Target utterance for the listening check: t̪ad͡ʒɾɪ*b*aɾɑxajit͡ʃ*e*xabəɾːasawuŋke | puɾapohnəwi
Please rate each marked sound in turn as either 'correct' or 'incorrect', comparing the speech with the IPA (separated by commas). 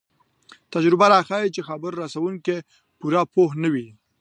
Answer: correct, correct